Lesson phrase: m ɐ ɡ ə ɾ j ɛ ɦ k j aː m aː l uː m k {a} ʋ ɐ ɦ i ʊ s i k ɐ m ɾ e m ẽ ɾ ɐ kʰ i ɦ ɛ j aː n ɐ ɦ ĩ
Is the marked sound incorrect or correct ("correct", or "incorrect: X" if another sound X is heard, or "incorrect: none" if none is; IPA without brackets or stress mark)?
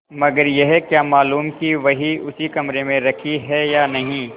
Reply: incorrect: i